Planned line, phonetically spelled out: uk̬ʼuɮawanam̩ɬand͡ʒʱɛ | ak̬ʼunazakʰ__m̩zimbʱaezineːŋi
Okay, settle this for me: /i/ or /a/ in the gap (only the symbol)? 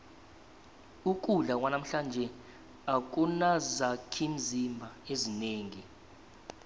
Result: i